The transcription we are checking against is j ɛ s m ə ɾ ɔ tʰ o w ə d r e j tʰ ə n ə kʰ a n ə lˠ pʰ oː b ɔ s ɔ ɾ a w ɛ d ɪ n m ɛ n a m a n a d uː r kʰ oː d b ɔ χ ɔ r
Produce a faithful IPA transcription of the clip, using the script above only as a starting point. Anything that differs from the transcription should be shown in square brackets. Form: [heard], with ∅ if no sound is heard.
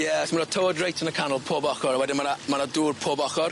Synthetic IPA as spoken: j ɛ s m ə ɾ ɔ tʰ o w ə d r e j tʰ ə n ə kʰ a n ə lˠ pʰ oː b ɔ [χ] ɔ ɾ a w ɛ d ɪ n m [a] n a m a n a d uː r [pʰ] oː [∅] b ɔ χ ɔ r